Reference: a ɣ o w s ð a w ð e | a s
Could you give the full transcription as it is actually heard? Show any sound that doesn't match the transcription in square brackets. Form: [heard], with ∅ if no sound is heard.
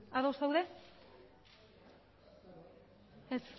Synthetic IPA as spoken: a [ð] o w s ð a w ð e | [e] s